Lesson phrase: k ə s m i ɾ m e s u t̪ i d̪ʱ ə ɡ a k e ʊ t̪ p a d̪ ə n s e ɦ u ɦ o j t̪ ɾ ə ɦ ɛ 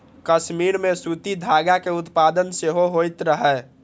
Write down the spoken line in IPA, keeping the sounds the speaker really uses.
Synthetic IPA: k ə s m i ɾ m e s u t̪ i d̪ʱ a ɡ a k e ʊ t̪ p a d̪ ə n s e ɦ o ɦ o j t̪ ɾ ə ɦ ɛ